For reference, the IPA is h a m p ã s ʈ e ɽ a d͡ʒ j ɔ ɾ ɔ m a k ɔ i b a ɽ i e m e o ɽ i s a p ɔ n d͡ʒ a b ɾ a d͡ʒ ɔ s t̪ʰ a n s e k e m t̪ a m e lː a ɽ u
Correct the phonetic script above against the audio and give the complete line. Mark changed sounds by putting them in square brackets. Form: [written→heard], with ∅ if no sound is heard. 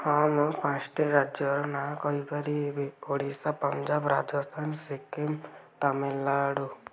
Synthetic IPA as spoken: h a m p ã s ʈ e [ɽ→ɾ] a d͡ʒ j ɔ ɾ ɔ [m→n] a k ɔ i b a [ɽ→ɾ] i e [m→b] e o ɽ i s a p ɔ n d͡ʒ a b ɾ a d͡ʒ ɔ s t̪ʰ a n s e k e m t̪ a m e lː a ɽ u